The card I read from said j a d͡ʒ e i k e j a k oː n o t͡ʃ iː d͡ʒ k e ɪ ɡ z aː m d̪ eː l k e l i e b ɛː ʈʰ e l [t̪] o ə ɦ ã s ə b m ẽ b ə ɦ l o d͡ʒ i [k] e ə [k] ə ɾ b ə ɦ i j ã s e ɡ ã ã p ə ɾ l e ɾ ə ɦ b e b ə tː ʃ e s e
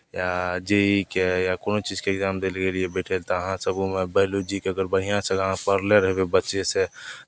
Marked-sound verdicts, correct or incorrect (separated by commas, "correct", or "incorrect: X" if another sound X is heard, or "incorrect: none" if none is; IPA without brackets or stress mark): correct, correct, incorrect: ɡ